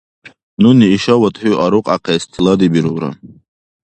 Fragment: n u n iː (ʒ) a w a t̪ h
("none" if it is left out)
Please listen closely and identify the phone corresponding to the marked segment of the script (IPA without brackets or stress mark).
ʃ